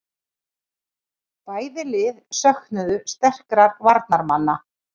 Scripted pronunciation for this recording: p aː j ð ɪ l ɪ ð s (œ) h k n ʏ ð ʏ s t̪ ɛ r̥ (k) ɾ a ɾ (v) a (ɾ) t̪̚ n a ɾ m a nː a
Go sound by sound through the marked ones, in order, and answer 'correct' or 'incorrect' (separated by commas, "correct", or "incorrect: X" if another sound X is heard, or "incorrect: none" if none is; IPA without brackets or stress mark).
correct, correct, correct, correct